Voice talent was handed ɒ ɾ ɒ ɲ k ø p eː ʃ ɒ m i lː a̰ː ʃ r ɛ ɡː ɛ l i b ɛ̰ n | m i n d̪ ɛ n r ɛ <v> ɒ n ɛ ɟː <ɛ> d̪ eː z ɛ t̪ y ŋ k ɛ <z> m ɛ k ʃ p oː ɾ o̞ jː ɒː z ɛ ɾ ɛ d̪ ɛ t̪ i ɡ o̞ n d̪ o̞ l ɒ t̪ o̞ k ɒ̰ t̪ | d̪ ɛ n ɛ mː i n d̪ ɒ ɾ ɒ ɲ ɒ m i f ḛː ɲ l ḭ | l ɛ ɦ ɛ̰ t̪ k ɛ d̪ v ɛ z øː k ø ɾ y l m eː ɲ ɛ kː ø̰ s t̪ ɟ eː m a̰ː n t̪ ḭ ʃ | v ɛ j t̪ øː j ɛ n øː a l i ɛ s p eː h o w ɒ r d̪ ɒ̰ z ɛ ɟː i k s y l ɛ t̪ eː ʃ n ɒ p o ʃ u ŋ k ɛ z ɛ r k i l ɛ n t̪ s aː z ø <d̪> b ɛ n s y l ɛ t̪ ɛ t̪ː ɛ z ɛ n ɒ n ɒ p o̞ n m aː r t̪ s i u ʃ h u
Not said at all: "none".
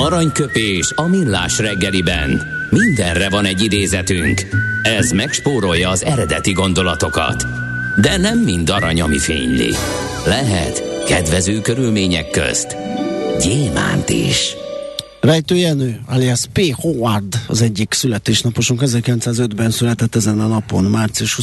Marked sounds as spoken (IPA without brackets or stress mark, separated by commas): v, i, z, d̪